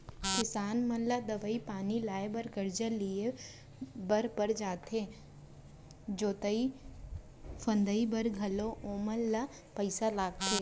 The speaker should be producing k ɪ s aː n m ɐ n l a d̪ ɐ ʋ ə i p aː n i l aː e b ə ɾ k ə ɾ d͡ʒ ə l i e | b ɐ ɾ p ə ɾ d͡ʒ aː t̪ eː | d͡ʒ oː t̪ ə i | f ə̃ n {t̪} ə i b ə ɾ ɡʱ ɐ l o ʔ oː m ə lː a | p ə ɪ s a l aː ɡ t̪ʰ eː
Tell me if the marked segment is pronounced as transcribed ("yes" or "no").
no